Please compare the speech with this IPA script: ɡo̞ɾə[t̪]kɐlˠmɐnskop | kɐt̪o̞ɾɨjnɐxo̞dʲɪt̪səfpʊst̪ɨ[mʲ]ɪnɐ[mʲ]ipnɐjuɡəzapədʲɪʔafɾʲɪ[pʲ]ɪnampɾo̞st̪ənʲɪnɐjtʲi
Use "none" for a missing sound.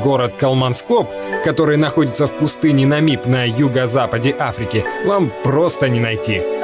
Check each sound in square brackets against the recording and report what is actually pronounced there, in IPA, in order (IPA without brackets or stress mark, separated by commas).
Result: t̪, nʲ, mʲ, kʲ